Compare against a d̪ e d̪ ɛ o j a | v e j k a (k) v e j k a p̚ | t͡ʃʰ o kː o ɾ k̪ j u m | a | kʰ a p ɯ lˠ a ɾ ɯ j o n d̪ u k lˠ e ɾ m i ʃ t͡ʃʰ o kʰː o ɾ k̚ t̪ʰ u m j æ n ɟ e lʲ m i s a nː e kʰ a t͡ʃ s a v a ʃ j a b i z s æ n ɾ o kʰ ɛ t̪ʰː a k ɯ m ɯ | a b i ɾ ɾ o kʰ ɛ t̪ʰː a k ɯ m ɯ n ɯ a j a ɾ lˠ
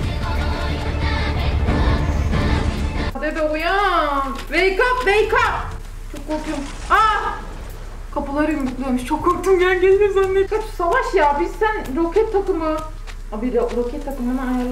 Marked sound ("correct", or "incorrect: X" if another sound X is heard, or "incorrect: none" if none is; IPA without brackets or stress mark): incorrect: p